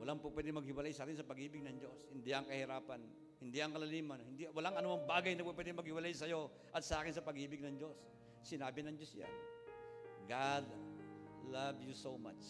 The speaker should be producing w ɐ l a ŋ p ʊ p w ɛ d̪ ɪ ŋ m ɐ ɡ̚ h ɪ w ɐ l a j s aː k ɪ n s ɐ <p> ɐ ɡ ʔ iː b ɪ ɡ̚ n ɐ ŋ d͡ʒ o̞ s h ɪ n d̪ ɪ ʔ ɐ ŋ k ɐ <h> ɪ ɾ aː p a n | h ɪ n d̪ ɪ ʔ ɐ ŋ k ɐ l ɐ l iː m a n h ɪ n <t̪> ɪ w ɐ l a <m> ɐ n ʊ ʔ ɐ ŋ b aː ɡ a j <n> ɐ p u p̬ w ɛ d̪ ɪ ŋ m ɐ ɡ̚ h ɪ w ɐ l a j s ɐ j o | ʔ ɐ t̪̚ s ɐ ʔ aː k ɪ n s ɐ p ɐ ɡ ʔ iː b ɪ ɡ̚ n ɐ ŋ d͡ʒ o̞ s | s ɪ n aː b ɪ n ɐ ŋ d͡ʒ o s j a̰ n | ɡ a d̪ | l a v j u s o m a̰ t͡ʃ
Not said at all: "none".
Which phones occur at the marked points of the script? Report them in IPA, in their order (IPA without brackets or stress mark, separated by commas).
p, h, d̪, ŋ, n